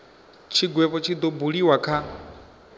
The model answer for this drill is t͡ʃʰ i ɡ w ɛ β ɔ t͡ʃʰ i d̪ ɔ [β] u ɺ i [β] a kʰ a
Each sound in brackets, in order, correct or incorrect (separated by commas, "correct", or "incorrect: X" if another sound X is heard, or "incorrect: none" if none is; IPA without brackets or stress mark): incorrect: b, incorrect: w